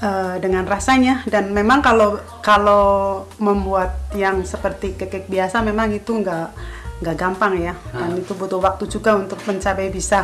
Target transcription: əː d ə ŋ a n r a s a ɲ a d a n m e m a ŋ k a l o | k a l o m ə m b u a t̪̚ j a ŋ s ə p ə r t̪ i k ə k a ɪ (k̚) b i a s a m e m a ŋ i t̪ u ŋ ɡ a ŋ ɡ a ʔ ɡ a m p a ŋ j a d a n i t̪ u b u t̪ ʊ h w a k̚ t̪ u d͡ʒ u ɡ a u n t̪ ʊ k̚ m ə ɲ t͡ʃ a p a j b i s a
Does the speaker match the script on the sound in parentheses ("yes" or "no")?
yes